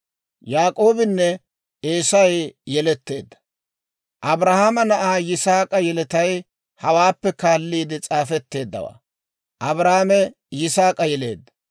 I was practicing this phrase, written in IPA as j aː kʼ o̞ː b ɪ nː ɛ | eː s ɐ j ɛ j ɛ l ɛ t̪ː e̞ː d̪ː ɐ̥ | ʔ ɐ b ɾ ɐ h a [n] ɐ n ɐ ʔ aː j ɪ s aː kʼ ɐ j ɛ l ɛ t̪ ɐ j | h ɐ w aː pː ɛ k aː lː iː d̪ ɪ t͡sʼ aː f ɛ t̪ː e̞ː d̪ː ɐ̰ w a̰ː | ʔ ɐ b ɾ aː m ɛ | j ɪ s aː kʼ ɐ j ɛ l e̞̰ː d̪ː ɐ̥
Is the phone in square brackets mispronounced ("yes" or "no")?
yes